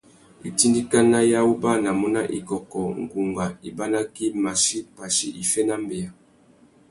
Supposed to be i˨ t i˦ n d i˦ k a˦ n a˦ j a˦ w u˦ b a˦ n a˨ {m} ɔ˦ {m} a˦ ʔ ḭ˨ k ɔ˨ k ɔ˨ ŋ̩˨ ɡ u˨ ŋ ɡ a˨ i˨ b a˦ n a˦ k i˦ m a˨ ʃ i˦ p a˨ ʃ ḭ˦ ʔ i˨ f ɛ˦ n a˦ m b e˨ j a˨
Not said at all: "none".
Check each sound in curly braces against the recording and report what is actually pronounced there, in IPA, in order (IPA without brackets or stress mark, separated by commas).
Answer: m, n